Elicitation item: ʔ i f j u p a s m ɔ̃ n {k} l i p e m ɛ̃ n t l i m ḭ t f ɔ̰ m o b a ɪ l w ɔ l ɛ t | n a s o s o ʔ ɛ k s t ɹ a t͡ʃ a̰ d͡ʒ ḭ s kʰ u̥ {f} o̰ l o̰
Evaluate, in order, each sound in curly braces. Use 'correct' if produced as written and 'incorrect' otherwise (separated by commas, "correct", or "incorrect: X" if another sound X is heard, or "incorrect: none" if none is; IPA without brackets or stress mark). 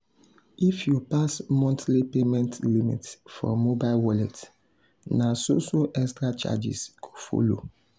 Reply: incorrect: t, correct